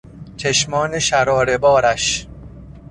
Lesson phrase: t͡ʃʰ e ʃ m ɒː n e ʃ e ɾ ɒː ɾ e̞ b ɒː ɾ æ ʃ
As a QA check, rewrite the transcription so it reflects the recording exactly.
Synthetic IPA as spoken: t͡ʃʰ e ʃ m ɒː n e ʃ æ ɾ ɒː ɾ e̞ b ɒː ɾ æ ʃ